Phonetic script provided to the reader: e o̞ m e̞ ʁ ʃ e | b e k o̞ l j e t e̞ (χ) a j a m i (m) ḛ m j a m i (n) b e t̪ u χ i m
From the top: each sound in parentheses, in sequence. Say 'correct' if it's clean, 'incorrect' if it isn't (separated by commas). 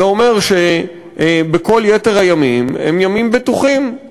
incorrect, correct, incorrect